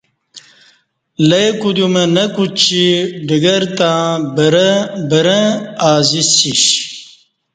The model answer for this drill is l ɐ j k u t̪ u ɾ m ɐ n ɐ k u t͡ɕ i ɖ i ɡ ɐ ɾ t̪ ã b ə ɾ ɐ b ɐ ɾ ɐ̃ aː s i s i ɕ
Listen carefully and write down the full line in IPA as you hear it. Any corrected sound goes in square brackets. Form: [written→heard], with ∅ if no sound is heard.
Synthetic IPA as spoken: l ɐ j k u [t̪→d̪] u [ɾ→∅] m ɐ n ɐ k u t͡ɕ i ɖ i ɡ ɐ ɾ t̪ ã b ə ɾ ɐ b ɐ ɾ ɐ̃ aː [s→z] i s i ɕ